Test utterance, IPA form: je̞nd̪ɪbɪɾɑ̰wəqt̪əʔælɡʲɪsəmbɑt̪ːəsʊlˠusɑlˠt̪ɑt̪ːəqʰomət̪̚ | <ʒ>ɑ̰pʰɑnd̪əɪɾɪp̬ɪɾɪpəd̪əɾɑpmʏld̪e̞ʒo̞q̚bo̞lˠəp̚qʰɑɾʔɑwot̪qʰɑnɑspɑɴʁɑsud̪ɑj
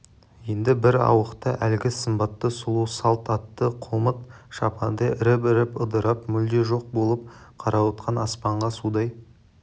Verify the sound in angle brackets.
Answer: incorrect: ʃ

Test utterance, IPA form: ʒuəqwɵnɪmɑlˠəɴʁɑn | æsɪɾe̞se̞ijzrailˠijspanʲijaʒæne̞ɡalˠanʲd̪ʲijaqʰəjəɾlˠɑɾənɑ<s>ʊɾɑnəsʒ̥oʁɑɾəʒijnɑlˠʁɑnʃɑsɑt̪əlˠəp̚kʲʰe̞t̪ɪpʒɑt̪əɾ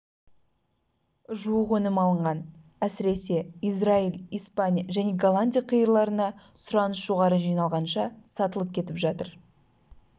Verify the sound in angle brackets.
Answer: correct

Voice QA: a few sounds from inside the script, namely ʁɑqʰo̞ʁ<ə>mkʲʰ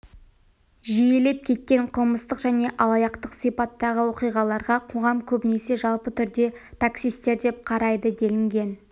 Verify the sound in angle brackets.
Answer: incorrect: ɑ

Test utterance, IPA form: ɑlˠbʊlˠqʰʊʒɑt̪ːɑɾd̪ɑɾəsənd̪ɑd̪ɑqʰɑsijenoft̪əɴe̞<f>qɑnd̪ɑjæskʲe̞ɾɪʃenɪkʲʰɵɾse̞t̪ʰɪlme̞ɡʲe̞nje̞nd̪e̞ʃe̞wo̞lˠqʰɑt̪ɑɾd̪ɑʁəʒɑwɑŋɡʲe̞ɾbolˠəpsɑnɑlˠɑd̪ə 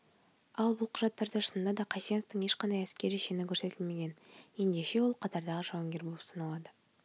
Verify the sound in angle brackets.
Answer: incorrect: ʃ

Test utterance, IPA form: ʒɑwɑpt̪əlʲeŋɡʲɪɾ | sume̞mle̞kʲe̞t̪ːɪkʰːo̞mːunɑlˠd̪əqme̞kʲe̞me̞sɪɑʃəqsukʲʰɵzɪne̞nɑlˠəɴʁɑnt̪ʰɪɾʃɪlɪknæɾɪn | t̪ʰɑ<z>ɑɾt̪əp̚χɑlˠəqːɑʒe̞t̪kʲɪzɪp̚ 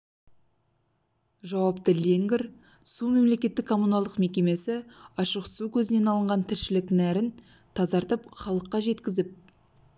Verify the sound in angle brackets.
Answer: correct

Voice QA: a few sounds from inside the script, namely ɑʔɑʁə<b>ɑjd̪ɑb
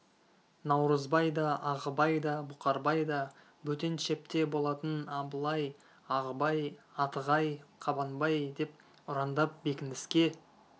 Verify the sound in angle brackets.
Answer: correct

